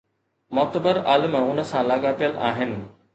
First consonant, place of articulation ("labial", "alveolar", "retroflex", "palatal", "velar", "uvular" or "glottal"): labial